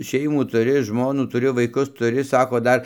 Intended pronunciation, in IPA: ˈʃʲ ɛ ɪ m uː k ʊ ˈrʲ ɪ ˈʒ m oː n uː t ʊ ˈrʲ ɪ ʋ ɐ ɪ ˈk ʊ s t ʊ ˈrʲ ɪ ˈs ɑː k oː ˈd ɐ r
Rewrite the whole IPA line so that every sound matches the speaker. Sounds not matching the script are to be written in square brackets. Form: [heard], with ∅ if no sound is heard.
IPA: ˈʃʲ ɛ ɪ m uː [t] ʊ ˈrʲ ɪ ˈʒ m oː n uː t ʊ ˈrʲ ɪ ʋ ɐ ɪ ˈk ʊ s t ʊ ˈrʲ ɪ ˈs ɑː k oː ˈd ɐ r